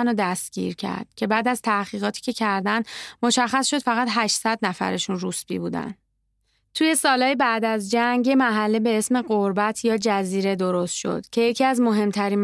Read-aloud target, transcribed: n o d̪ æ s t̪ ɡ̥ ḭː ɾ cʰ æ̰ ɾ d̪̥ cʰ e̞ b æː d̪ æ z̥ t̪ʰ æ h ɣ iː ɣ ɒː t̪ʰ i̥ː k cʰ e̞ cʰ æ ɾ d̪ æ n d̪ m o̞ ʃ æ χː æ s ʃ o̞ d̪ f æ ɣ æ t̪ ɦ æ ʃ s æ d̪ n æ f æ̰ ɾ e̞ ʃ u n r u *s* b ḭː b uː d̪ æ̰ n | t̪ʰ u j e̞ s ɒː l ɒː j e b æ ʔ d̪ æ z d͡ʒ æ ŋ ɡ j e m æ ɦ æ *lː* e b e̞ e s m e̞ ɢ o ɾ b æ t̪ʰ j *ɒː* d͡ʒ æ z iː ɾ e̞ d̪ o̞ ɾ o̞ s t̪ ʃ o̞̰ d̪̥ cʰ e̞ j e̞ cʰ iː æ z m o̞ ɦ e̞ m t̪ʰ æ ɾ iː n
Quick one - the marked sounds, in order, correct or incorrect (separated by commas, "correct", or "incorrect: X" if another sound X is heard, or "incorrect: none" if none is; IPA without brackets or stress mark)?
correct, correct, correct